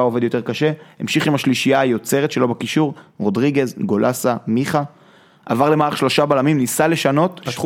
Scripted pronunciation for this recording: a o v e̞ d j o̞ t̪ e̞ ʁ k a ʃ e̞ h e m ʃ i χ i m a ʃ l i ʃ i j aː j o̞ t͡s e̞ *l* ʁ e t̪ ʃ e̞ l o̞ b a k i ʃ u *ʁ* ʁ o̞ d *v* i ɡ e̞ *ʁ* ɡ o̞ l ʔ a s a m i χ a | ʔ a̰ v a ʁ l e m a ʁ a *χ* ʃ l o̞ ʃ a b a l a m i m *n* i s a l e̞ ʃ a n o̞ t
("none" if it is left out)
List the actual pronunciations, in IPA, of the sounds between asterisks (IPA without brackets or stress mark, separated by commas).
none, ʁ, ʁ, z, χ, n